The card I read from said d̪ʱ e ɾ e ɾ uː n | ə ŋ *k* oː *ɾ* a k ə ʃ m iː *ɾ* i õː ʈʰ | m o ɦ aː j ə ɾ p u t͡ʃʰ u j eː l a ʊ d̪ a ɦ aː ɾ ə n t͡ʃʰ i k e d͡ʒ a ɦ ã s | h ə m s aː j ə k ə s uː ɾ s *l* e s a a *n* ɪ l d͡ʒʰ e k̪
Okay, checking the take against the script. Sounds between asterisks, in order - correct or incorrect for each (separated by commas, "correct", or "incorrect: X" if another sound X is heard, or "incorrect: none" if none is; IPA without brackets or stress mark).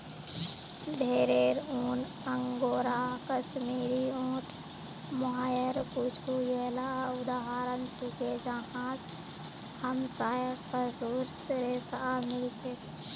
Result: incorrect: ɡ, correct, correct, incorrect: ɾ, incorrect: m